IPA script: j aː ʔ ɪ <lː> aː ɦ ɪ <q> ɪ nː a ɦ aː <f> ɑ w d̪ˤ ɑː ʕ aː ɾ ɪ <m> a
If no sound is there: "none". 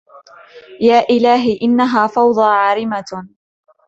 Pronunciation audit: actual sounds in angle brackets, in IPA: l, ʔ, f, m

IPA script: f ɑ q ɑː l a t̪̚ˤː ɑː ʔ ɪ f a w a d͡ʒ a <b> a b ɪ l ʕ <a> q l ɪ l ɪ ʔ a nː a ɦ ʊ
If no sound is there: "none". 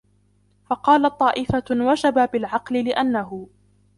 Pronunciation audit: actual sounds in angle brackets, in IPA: b, ɑ

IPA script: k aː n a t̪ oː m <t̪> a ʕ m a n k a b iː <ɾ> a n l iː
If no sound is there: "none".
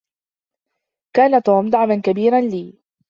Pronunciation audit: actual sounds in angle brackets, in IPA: d̪, ɾ

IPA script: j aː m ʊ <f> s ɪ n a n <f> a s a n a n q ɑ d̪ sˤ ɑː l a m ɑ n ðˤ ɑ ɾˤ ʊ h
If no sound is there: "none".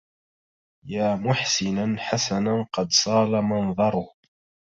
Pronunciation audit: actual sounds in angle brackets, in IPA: ħ, ħ

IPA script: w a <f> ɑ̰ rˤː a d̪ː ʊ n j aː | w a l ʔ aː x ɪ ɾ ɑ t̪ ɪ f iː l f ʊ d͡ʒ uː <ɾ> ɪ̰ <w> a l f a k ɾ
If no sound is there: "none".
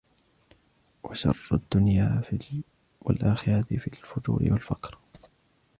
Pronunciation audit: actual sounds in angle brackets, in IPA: ʃ, ɾ, w

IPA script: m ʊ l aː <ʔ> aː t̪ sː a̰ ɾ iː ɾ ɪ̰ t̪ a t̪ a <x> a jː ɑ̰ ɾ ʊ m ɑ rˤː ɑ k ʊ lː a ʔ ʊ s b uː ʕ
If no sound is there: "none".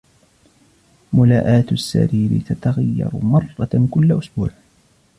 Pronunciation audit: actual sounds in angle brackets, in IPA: ʔ, ɣ

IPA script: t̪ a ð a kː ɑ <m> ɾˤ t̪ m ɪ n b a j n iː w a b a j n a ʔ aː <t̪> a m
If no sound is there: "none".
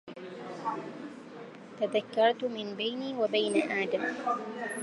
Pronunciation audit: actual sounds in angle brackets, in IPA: none, d̪

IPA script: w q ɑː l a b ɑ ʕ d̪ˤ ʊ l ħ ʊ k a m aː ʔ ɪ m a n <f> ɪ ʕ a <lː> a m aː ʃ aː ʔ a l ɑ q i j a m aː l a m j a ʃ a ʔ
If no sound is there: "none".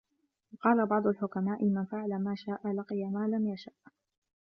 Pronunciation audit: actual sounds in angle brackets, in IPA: f, l

